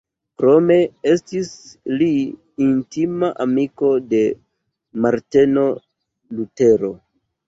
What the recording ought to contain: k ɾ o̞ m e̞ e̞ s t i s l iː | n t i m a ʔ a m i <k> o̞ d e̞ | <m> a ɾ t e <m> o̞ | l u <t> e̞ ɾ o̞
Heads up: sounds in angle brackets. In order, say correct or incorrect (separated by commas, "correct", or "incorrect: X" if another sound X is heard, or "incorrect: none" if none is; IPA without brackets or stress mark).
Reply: correct, correct, incorrect: n, correct